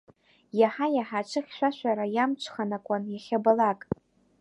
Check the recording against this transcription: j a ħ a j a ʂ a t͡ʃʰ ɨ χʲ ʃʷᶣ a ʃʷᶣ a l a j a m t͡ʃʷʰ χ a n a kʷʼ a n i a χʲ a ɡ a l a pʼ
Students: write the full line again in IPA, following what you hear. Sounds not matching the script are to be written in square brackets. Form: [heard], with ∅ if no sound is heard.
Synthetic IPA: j a ħ a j a [ħ] a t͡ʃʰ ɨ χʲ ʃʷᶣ a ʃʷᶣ a [ɾ] a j a m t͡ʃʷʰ χ a n a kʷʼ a n [j] a χʲ a [b] a l a [kʼ]